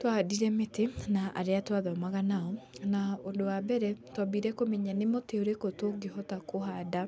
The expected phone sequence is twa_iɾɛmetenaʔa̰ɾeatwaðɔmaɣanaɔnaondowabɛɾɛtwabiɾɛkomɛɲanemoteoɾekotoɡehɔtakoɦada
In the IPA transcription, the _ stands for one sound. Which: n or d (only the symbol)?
d